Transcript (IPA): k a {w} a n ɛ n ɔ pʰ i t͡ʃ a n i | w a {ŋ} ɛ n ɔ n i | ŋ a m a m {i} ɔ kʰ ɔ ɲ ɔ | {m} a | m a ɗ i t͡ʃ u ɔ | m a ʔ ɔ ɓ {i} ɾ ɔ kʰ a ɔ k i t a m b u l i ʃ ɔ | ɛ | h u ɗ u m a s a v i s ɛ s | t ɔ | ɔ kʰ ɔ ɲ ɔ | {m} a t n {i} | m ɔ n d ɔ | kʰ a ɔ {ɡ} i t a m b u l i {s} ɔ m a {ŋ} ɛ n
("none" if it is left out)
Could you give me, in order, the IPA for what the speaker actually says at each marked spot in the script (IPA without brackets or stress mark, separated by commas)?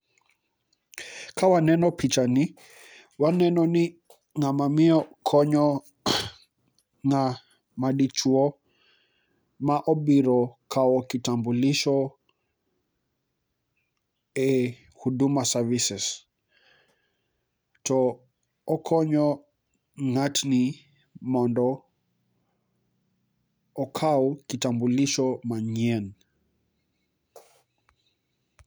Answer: w, n, i, ŋ, i, ŋ, i, k, ʃ, ɲ